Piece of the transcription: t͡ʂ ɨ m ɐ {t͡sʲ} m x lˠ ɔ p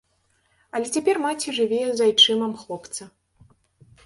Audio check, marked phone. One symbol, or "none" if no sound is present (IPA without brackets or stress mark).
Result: none